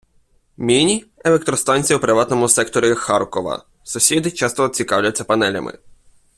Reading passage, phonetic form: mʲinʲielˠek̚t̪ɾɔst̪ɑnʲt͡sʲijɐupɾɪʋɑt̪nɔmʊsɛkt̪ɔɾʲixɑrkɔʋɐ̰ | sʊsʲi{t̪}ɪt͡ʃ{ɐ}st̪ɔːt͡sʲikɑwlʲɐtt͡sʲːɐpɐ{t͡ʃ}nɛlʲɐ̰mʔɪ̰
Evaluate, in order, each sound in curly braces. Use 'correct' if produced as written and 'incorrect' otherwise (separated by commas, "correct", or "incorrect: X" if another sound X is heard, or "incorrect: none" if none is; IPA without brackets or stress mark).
incorrect: d̪, incorrect: ɑ, incorrect: none